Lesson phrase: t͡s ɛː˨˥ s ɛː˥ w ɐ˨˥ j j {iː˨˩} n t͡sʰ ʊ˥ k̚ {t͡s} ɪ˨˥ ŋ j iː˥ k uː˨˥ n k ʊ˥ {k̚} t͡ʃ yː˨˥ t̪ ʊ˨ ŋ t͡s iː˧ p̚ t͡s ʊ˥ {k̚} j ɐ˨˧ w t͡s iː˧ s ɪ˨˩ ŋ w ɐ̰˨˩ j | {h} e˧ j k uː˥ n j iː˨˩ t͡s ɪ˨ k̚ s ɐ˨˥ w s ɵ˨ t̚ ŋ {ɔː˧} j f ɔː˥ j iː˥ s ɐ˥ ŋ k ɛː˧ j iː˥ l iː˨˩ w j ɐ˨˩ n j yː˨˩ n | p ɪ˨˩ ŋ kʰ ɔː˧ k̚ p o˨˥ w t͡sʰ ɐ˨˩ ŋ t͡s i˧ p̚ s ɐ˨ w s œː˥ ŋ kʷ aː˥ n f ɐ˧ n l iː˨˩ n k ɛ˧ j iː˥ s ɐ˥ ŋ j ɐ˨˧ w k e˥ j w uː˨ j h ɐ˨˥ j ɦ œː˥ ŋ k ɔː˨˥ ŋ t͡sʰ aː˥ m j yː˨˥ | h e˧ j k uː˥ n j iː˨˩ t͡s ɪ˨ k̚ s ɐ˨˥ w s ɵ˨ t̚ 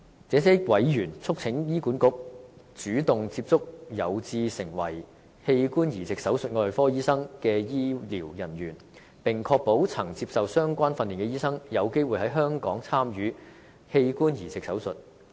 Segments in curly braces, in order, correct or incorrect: incorrect: yː˨˩, incorrect: t͡sʰ, correct, correct, correct, correct

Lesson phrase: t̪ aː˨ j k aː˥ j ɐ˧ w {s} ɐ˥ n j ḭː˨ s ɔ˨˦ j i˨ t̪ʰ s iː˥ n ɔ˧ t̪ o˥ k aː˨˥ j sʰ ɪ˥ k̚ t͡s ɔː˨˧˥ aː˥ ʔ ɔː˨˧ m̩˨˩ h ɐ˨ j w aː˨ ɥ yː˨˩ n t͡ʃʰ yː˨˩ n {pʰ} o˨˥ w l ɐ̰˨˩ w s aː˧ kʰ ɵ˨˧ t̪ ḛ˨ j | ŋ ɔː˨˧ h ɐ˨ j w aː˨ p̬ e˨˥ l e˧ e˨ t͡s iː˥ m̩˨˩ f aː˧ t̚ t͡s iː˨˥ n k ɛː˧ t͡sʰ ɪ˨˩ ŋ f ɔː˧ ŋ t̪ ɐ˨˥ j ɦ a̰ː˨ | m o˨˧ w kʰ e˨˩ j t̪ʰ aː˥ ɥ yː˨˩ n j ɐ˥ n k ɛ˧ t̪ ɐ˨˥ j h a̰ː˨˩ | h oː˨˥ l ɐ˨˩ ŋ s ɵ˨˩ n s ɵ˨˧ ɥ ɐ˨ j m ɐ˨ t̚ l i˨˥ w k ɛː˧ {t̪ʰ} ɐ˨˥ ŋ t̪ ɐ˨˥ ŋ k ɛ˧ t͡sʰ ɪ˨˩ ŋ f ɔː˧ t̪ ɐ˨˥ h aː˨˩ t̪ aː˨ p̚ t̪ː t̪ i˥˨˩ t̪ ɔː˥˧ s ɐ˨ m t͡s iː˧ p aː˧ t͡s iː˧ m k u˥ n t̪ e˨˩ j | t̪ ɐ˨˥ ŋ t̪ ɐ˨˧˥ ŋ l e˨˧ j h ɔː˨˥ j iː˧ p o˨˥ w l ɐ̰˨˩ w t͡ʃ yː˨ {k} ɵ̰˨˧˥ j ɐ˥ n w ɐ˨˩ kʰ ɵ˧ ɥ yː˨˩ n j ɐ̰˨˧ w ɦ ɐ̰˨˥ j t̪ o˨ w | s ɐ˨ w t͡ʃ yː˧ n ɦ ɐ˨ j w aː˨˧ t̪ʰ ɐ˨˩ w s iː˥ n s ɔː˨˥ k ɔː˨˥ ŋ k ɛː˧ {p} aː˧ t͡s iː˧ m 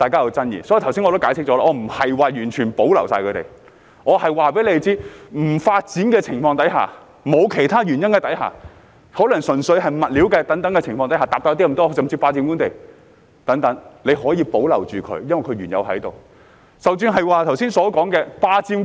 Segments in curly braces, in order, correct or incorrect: incorrect: t͡s, incorrect: p, incorrect: t̪, incorrect: kʰ, correct

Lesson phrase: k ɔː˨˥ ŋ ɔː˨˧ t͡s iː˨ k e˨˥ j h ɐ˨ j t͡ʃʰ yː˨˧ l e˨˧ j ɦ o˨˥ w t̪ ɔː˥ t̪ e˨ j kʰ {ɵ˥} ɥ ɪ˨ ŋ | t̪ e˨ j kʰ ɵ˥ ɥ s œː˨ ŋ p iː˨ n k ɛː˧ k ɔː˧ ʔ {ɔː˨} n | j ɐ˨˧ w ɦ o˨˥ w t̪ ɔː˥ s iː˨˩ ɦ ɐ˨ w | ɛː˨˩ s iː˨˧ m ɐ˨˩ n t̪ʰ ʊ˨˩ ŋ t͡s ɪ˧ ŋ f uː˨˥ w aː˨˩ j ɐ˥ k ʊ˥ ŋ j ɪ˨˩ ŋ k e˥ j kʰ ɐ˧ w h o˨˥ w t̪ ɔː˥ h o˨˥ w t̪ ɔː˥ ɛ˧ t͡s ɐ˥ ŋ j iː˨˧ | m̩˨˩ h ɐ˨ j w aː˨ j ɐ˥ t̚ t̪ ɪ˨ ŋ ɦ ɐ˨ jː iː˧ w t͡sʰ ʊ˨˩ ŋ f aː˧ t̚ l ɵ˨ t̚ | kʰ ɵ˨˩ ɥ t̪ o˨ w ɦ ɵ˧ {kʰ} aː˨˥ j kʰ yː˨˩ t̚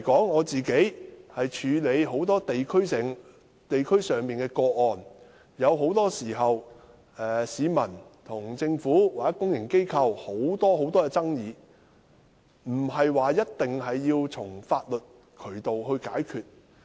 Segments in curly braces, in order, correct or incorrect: correct, correct, incorrect: k

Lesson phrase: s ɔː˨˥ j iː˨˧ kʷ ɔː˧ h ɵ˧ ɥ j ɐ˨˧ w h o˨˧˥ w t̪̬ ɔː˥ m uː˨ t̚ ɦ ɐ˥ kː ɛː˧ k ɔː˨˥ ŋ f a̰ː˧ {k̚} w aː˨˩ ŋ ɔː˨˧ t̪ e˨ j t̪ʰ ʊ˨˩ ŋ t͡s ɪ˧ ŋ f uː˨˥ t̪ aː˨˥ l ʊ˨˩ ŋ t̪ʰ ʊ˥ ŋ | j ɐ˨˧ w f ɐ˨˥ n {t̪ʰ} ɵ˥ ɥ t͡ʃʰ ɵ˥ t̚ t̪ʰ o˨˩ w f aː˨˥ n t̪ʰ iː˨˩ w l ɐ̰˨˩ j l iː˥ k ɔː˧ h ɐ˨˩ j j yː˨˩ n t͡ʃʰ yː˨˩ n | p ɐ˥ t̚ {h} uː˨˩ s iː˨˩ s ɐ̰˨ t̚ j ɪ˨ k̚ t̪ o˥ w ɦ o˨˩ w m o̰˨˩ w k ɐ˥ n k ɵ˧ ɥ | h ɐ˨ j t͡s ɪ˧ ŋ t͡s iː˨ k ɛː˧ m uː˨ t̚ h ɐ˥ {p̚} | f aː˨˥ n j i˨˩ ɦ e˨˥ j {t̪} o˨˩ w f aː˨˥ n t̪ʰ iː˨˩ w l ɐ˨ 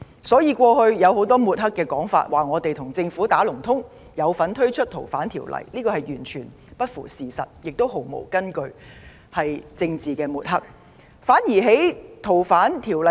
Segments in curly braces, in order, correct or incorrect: incorrect: t̚, correct, incorrect: f, incorrect: k̚, incorrect: t̪ʰ

